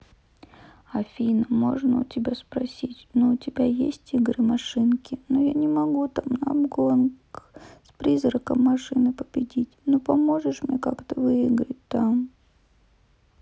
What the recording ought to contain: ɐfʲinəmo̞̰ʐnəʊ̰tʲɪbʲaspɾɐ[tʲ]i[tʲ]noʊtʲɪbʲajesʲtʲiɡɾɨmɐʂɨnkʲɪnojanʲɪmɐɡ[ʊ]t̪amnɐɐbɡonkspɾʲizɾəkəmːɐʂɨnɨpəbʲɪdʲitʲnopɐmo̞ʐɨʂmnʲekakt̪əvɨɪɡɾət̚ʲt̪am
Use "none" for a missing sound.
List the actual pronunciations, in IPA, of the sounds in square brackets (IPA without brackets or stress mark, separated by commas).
sʲ, tʲ, u